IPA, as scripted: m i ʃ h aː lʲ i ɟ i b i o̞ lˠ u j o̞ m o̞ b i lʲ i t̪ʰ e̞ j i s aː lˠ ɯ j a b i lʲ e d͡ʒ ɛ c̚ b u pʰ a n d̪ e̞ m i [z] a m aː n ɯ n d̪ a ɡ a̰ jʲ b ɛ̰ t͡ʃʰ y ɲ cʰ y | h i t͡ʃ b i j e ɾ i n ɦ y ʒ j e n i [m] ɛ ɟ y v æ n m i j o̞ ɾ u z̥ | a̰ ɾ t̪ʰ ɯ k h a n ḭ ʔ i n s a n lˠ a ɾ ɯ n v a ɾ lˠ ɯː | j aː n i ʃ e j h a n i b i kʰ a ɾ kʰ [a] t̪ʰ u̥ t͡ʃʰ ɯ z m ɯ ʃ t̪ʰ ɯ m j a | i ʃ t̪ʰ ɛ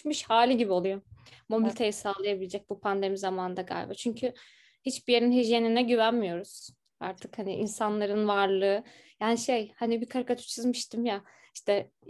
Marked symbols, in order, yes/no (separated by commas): yes, no, yes